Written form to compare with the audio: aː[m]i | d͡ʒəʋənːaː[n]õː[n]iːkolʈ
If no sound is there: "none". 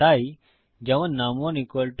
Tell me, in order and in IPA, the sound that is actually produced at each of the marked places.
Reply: none, m, n

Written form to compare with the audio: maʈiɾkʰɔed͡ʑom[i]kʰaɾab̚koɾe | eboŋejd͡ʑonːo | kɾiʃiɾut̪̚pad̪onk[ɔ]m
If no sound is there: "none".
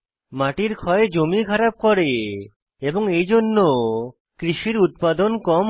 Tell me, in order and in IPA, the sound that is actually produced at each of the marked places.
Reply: i, ɔ

